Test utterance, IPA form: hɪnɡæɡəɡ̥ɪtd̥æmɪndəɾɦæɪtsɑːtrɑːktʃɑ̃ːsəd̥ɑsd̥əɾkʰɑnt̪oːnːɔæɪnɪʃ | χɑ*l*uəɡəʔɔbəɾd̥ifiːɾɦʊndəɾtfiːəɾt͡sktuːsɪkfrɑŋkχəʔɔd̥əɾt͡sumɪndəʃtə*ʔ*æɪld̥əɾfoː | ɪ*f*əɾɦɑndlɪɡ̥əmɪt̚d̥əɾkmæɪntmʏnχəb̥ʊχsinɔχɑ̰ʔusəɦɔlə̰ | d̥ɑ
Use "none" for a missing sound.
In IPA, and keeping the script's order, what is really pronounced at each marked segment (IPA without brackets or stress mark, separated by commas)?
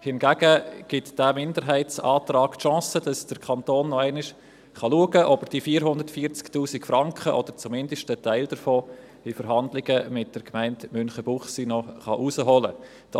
l, t, f